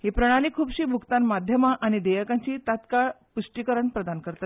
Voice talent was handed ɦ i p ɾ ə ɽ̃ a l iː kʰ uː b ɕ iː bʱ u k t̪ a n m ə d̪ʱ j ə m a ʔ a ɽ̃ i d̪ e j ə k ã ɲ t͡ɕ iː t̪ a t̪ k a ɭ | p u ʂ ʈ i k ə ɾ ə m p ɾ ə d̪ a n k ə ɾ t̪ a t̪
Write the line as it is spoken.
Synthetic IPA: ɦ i p ɾ ə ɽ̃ a l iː kʰ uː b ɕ iː bʱ u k t̪ a n m a d̪ʱ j ə m a ʔ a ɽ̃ i d̪ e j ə k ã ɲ t͡ɕ iː t̪ a t̪ k a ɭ | p u ʂ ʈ i k ə ɾ ə ɳ p ɾ ə d̪ a n k ə ɾ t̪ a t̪